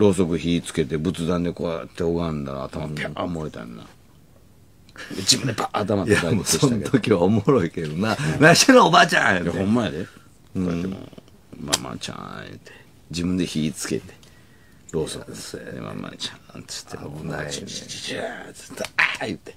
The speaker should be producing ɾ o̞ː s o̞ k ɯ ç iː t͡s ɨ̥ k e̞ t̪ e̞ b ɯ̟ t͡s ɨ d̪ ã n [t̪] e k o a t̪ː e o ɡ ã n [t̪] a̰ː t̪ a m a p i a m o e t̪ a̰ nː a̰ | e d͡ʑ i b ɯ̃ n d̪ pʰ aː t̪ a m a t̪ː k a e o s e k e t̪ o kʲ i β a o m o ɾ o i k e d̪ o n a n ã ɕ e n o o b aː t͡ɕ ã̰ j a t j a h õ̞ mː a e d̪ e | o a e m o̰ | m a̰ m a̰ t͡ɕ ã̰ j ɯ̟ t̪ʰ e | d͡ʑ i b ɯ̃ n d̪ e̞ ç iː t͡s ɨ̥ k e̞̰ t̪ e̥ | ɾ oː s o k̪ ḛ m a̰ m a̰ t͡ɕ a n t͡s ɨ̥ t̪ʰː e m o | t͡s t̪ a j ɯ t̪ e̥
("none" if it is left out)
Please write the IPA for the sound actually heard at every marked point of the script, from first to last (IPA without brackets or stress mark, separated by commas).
d̪, d̪